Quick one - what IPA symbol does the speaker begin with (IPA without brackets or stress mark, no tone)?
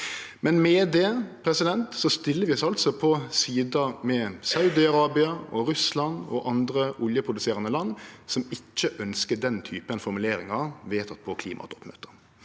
m